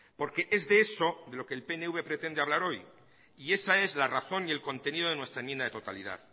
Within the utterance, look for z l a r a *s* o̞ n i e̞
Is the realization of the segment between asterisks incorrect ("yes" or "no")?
yes